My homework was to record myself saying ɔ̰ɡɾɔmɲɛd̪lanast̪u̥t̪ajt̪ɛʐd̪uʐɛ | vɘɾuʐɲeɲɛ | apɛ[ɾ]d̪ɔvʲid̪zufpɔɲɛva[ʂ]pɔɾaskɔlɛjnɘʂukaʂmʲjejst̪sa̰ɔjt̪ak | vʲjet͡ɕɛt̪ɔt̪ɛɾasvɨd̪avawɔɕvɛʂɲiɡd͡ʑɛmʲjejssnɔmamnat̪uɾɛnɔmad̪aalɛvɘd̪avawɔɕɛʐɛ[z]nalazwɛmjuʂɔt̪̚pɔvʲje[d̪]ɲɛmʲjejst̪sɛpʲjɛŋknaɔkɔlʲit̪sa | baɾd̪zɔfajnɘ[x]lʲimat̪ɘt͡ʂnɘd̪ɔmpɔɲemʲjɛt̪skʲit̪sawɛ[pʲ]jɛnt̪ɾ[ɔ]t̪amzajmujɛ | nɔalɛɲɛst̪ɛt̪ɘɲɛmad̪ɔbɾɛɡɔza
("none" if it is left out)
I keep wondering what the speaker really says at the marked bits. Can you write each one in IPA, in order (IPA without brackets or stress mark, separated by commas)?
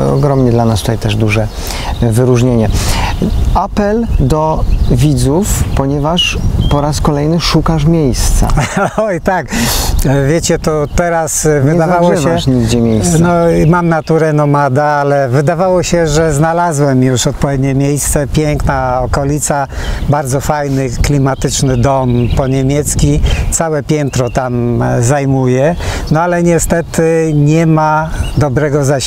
l, ʂ, z, d̪, k, pʲ, ɔ